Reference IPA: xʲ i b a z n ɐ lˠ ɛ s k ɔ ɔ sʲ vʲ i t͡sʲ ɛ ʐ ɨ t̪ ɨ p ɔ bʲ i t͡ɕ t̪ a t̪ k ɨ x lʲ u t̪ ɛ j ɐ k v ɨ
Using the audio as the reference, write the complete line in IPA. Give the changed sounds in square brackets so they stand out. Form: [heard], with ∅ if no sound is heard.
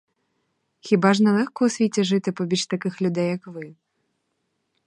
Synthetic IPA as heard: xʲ i b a [ʐ] n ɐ lˠ ɛ [x] k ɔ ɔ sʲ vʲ i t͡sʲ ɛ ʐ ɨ t̪ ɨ p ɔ bʲ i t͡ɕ t̪ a [∅] k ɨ x lʲ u [d̪] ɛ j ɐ k v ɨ